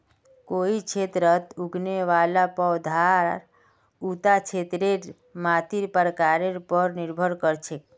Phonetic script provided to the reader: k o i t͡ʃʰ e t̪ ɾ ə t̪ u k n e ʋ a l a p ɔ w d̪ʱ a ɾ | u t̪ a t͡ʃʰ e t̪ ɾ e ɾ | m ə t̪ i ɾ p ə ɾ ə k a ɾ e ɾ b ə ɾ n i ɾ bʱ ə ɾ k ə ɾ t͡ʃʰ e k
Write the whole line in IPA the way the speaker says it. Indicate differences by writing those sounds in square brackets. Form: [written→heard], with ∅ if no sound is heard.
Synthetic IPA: k o i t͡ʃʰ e t̪ ɾ ə t̪ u [k→ɡ] n e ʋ a l a p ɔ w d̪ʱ a ɾ | u t̪ a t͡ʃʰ e t̪ ɾ e ɾ | m [ə→a] t̪ i ɾ p ə ɾ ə k a ɾ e ɾ [b→p] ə ɾ n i ɾ bʱ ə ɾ k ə ɾ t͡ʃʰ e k

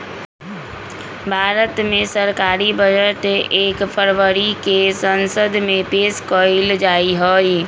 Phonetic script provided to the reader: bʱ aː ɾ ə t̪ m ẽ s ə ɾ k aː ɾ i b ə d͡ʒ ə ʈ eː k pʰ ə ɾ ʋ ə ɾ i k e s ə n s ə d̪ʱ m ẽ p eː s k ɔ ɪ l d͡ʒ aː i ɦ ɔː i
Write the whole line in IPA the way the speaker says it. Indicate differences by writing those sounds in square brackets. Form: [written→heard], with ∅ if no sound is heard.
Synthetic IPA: bʱ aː ɾ ə t̪ m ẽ s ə ɾ k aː ɾ i b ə d͡ʒ ə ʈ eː k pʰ ə ɾ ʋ ə ɾ i k e s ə n s ə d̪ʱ m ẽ p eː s k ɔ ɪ l d͡ʒ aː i ɦ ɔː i

